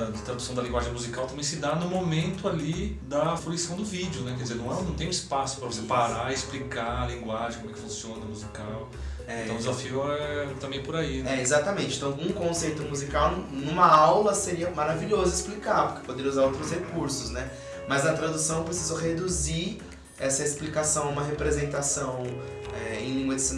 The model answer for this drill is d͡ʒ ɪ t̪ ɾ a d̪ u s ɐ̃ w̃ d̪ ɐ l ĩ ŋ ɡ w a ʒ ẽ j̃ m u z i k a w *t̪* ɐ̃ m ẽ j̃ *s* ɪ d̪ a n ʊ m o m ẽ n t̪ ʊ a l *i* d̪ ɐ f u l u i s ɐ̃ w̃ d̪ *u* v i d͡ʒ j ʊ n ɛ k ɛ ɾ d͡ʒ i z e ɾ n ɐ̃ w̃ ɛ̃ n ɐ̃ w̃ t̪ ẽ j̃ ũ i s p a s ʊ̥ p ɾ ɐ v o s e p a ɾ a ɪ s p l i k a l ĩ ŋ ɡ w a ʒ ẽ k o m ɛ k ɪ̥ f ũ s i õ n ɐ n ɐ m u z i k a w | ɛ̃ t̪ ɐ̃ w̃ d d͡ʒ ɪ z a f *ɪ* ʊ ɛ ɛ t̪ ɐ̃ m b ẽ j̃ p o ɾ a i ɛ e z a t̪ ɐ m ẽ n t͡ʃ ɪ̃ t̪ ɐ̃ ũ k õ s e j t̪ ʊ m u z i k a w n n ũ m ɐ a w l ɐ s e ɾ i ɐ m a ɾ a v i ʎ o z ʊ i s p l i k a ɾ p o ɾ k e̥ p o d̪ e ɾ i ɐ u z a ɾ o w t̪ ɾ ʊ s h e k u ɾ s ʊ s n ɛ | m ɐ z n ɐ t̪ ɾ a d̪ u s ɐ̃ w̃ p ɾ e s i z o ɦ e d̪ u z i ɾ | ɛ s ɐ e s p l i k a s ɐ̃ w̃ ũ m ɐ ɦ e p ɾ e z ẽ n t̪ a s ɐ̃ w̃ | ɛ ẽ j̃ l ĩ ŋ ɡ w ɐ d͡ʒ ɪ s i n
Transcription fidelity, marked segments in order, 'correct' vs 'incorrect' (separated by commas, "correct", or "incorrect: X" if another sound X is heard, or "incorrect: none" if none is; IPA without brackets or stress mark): correct, correct, correct, incorrect: ʊ, incorrect: i